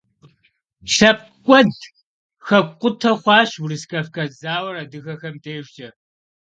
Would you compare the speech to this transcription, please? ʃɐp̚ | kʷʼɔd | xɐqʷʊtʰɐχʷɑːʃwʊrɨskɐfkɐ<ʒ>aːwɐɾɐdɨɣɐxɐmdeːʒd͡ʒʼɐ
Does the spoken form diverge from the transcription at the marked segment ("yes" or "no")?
yes